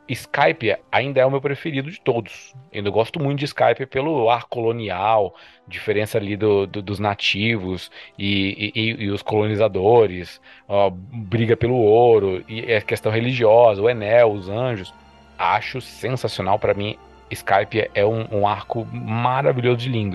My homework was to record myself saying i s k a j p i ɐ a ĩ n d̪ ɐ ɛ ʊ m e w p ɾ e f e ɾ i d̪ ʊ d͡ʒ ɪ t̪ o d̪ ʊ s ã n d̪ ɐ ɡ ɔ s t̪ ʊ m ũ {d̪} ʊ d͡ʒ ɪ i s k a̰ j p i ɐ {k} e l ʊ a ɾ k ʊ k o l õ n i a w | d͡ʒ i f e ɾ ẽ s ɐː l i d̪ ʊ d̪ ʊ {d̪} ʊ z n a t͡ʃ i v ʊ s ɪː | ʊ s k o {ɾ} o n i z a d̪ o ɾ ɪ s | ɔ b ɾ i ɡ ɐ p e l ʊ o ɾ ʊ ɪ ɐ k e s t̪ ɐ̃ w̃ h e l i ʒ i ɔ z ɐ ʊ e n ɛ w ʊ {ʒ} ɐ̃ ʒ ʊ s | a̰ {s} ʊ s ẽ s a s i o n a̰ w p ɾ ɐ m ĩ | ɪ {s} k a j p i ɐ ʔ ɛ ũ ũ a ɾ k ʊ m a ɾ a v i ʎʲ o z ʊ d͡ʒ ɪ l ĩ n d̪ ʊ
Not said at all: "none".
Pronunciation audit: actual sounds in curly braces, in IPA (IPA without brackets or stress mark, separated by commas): t̪, p, d̪, l, z, ʃ, s